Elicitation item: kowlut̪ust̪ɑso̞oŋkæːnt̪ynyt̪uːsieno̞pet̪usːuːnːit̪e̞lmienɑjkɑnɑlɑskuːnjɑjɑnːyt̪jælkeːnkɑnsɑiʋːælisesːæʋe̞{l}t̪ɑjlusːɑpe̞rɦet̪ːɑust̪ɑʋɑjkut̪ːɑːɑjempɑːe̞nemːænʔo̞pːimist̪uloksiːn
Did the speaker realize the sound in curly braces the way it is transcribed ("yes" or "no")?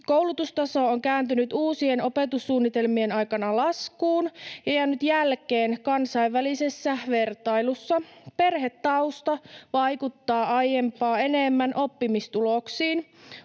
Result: no